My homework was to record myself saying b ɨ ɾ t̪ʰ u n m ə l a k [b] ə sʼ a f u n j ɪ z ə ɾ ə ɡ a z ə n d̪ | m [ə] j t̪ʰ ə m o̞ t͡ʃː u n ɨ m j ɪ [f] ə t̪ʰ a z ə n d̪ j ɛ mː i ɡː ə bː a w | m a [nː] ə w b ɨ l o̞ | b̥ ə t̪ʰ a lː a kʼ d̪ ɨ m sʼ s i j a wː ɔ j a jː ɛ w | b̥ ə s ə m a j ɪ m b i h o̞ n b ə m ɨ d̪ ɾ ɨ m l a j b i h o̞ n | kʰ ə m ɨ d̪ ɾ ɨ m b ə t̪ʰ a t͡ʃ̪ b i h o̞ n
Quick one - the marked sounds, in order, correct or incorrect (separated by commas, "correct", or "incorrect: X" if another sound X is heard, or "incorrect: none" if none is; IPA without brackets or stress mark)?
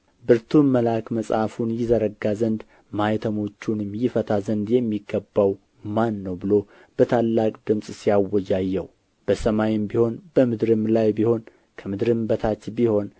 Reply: incorrect: m, incorrect: a, correct, correct